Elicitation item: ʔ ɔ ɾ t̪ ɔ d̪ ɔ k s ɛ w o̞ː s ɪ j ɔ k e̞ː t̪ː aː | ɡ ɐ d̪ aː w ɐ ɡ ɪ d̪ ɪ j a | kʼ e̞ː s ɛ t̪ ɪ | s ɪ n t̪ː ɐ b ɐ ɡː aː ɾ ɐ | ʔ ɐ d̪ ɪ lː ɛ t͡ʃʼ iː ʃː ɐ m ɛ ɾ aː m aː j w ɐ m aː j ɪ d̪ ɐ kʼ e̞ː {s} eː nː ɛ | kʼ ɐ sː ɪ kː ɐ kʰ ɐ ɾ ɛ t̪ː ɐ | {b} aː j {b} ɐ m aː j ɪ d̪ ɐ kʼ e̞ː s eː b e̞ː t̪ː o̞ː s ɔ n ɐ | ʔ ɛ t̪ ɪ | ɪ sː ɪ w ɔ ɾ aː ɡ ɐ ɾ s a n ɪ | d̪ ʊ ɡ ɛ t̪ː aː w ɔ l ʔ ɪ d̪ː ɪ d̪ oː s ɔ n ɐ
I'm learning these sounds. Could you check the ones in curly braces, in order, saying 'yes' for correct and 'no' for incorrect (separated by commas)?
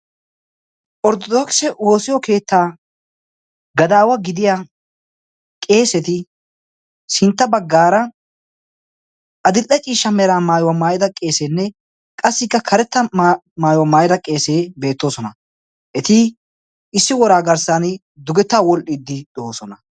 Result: yes, no, no